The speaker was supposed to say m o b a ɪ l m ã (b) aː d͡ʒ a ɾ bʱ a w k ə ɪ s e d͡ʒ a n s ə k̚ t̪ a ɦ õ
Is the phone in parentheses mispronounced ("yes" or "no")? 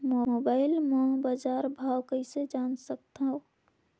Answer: no